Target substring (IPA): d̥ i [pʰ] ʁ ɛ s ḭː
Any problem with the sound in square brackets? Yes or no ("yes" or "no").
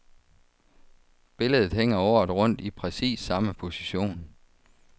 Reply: no